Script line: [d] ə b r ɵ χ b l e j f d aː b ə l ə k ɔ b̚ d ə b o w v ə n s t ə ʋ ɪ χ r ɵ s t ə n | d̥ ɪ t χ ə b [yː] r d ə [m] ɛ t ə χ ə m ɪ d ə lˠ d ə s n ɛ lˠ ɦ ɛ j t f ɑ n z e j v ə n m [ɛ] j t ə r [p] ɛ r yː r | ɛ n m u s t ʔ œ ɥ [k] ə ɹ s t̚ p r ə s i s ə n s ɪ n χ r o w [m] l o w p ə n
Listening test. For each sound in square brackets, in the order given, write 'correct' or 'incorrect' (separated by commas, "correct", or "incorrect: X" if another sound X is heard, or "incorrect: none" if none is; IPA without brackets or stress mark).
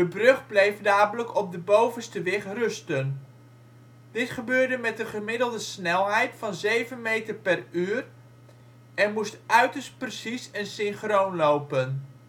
correct, incorrect: øː, correct, incorrect: e, correct, incorrect: t, incorrect: n